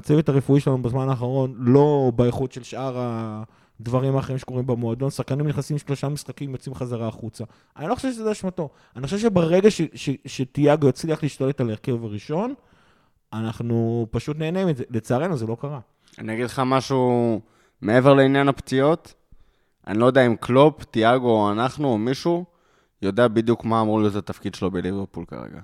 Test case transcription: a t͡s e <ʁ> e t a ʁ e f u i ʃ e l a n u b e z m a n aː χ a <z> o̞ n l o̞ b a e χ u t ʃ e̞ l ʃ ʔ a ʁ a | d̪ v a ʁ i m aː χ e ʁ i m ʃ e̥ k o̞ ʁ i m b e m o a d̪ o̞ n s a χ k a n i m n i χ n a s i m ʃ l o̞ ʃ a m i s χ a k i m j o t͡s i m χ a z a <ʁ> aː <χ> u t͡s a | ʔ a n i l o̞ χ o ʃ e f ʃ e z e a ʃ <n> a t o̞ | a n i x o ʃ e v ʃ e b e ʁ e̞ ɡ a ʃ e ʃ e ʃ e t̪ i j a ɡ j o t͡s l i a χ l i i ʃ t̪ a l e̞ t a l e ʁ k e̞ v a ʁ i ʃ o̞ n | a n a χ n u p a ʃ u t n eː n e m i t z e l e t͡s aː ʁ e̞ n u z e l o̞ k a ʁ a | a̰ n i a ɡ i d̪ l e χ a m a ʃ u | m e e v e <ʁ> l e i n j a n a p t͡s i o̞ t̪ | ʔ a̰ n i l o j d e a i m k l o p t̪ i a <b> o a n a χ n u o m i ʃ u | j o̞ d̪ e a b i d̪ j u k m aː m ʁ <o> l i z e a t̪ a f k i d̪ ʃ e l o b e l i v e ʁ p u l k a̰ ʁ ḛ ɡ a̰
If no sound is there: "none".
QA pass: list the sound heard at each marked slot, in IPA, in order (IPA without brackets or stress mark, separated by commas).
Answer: v, ʁ, ʁ, χ, m, ʁ, ɡ, u